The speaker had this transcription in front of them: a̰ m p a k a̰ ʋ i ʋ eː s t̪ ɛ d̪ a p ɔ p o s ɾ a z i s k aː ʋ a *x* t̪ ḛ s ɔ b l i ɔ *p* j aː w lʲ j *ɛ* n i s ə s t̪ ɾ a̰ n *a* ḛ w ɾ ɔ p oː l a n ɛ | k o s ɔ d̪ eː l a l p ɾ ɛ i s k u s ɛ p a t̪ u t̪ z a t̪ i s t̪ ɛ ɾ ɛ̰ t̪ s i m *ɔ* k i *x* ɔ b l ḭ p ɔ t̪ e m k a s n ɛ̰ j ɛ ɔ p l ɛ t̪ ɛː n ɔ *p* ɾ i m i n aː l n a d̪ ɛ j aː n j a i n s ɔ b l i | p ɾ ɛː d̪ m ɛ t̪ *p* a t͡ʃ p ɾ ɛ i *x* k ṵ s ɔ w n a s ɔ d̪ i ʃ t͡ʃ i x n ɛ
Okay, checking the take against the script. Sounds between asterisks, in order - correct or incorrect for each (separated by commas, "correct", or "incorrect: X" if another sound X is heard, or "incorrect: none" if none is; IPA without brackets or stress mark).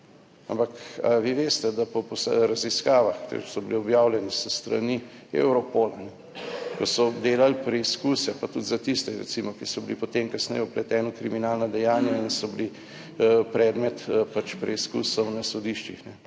correct, incorrect: b, correct, incorrect: i, correct, incorrect: s, incorrect: k, correct, incorrect: s